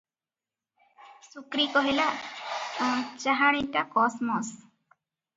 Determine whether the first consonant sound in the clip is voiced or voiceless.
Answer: voiceless